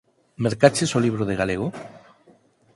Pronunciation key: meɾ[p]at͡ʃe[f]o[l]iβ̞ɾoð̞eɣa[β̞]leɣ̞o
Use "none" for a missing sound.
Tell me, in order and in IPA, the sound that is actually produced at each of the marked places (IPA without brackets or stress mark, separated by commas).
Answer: k, s, l, none